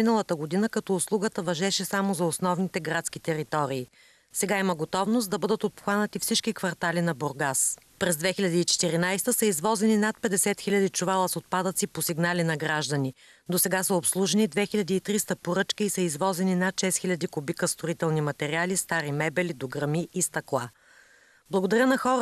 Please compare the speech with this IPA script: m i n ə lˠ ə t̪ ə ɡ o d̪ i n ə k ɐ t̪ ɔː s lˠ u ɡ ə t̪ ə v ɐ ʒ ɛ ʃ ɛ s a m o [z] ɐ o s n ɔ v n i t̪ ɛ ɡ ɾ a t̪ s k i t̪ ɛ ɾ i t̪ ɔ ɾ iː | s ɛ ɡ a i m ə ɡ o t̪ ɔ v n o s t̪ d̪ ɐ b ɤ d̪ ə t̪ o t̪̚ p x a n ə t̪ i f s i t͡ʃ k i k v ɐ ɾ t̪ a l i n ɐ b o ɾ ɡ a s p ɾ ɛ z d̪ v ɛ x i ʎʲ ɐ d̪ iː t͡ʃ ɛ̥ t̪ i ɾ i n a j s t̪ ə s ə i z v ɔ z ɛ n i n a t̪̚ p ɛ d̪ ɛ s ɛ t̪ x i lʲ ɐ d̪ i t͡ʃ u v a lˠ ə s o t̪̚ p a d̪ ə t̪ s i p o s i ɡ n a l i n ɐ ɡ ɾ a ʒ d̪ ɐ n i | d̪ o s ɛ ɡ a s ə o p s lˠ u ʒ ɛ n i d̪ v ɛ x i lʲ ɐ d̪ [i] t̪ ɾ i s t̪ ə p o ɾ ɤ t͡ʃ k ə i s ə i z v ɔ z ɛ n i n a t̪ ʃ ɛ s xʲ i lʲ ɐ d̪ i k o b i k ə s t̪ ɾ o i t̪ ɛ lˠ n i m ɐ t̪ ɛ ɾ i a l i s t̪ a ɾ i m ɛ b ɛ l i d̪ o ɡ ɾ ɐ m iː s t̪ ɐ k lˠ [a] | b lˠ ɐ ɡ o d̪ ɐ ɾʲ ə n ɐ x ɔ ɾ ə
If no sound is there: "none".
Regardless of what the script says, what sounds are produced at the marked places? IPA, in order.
z, iː, a

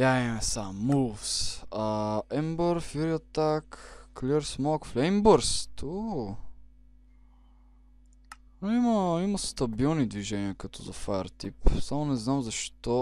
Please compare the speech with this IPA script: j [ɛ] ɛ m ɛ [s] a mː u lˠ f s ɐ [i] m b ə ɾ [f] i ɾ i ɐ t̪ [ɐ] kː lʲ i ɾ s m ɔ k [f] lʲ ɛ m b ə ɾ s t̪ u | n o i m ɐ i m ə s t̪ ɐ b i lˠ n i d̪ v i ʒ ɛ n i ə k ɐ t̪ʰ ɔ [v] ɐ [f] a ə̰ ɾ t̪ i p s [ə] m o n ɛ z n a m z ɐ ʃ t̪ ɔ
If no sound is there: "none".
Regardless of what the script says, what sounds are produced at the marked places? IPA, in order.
a, s, ɛ, f, a, f, z, f, a

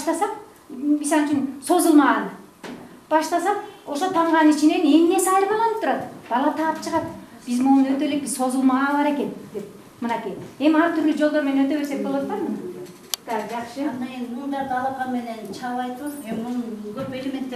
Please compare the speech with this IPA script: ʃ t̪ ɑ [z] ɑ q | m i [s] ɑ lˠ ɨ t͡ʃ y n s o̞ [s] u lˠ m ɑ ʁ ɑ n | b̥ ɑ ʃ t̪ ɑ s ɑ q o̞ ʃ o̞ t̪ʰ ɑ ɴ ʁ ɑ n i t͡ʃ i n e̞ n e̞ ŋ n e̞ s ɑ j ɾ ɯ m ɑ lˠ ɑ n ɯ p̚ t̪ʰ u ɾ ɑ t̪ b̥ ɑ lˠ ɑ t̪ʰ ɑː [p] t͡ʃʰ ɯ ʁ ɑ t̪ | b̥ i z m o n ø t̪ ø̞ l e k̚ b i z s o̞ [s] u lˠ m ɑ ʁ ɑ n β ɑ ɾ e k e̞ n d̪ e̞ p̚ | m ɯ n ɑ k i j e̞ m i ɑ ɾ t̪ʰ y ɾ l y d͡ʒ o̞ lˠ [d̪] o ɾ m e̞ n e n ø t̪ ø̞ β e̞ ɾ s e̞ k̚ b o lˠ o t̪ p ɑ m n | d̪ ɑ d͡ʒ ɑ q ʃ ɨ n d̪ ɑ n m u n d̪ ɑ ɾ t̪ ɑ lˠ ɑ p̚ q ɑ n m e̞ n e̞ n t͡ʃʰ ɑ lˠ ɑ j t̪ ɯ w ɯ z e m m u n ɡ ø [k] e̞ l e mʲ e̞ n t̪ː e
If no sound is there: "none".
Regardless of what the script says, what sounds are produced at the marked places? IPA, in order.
s, s, z, p, z, d̪, p

